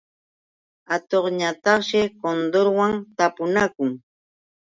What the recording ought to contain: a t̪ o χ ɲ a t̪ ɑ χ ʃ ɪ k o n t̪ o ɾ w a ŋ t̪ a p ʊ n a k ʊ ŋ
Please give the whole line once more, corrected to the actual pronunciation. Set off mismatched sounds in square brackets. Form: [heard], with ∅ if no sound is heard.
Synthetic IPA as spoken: a t̪ o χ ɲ a t̪ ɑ χ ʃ ɪ k o n [d̪] o ɾ w a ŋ t̪ a p ʊ n a k ʊ ŋ